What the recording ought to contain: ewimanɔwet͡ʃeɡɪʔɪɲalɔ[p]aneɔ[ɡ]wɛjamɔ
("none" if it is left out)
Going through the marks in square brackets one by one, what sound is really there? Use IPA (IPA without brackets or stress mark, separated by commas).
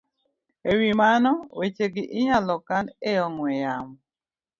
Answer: k, ŋ